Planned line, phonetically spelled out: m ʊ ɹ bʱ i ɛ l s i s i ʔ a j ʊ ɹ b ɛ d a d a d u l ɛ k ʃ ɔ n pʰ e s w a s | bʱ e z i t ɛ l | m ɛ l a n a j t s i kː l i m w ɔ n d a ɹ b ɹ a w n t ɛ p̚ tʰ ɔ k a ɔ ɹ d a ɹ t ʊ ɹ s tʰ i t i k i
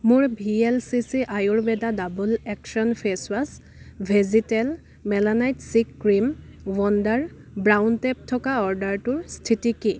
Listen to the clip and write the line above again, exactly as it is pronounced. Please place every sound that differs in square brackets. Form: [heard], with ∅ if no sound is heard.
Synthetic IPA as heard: m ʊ ɹ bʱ i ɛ l s i s i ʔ a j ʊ ɹ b ɛ d a d a [b] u l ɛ k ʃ ɔ n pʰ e s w a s | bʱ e z i t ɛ l | m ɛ l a n a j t s i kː [ɹ] i m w ɔ n d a ɹ b ɹ a w n t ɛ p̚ tʰ ɔ k a ɔ ɹ d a ɹ t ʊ ɹ s tʰ i t i k i